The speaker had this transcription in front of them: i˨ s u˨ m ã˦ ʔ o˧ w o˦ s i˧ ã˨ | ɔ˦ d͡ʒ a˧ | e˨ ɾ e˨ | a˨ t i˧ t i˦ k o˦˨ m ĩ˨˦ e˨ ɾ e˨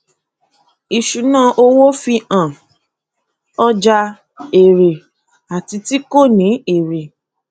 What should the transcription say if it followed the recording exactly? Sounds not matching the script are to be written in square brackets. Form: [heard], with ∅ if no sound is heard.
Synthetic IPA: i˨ [ʃ] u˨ [n] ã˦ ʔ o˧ w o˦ [f] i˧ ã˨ | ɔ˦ d͡ʒ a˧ | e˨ ɾ e˨ | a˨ t i˧ t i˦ k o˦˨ [n] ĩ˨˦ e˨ ɾ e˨

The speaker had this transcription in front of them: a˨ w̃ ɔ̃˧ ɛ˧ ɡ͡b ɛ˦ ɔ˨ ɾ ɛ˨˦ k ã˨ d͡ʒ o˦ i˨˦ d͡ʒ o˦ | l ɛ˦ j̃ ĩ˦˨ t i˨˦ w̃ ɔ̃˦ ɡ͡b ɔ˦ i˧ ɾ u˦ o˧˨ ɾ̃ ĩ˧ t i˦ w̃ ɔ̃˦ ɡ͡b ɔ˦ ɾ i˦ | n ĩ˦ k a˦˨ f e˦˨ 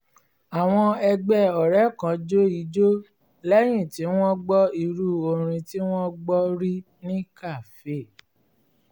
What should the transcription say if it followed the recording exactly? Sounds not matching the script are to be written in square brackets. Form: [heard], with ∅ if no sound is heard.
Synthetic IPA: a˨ w̃ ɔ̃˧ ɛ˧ ɡ͡b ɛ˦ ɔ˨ ɾ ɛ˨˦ k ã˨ d͡ʒ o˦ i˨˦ d͡ʒ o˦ | l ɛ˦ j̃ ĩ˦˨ t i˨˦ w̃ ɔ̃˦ ɡ͡b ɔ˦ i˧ ɾ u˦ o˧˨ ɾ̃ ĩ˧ t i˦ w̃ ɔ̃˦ ɡ͡b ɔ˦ ɾ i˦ | n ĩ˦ k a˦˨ f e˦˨

